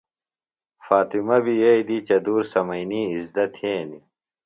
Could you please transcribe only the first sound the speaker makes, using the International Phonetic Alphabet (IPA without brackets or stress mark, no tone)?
f